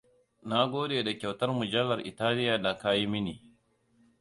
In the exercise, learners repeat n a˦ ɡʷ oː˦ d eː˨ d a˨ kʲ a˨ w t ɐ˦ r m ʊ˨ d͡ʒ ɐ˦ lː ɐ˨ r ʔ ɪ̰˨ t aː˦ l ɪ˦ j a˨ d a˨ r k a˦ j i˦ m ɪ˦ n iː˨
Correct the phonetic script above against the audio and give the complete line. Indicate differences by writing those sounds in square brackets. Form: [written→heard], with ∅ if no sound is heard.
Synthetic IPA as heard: n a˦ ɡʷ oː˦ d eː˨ d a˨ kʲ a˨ w t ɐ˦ r m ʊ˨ d͡ʒ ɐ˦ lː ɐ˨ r ʔ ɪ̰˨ t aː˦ l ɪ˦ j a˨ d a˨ [r→∅] k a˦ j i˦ m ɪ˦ n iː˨